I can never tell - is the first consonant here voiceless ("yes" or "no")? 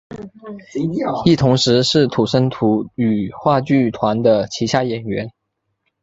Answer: yes